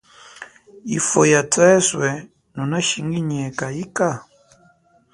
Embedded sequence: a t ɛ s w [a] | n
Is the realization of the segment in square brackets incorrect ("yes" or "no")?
yes